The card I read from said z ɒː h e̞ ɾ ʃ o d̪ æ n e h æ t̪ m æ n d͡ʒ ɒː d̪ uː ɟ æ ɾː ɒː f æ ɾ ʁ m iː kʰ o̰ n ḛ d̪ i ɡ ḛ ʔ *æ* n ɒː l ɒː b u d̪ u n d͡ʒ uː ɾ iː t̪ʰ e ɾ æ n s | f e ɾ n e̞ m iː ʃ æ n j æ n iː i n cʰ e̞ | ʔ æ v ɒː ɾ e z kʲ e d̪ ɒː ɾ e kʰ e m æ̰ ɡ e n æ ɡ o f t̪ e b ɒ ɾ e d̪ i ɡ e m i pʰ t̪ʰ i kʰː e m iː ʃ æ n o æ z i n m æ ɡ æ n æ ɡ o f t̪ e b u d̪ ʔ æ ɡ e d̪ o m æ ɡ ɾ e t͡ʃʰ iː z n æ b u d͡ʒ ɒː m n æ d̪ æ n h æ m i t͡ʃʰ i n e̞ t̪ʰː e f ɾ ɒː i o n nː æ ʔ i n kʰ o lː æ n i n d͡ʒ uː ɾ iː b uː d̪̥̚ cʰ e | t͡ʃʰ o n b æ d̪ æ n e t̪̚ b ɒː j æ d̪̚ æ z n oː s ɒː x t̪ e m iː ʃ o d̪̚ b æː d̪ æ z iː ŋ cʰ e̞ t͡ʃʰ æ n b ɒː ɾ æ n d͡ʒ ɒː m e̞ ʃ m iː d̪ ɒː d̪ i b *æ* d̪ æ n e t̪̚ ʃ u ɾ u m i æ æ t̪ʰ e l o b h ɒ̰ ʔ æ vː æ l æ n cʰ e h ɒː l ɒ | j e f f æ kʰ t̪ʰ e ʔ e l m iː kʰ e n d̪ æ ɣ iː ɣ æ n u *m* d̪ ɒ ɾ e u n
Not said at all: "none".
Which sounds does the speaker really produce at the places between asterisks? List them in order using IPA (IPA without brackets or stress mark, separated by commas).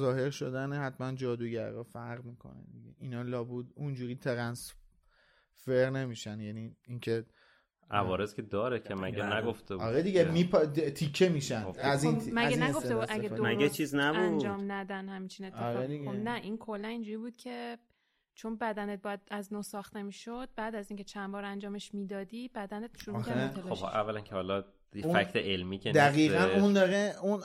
i, æ, n